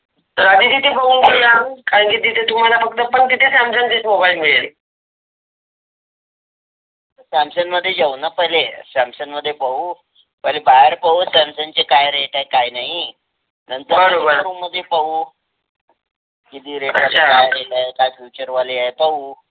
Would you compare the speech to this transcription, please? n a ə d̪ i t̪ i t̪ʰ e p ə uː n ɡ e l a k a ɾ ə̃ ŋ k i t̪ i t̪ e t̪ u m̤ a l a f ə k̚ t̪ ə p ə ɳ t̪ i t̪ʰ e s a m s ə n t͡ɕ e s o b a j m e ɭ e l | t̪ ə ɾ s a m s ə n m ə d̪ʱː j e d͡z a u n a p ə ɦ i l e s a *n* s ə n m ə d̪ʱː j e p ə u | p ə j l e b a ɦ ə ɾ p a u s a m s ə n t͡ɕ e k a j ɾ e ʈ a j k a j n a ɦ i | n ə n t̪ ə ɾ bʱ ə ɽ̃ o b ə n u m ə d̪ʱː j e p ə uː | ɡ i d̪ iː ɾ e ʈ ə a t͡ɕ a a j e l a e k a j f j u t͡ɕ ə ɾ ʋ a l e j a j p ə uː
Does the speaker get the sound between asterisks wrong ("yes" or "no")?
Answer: yes